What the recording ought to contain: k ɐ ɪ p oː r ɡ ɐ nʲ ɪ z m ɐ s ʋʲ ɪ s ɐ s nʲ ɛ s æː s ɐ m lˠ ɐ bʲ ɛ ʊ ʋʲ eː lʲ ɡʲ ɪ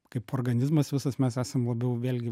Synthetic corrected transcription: k ɐ ɪ p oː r ɡ ɐ nʲ ɪ z m ɐ s ʋʲ ɪ s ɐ s mʲ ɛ s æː s ɐ m lˠ ɐ bʲ ɛ ʊ ʋʲ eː lʲ ɡʲ ɪ